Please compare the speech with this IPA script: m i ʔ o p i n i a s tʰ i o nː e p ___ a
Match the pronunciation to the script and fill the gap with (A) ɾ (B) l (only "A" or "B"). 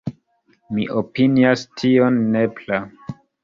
B